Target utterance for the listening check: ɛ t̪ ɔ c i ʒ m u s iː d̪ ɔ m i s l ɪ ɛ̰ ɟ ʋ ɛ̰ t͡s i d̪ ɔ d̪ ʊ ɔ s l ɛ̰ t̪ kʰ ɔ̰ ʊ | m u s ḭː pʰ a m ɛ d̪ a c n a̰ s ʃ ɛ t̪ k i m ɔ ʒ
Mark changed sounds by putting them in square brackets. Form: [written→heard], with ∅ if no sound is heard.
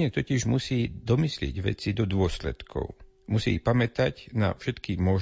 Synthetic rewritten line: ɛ t̪ ɔ c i ʒ m u s iː d̪ ɔ m i s l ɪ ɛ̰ ɟ ʋ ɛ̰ t͡s i d̪ ɔ d̪ ʊ ɔ s l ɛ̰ t̪ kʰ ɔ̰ ʊ | m u s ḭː [pʰ→p] a m ɛ [d̪→t̪] a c n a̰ [s→f] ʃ ɛ t̪ k i m ɔ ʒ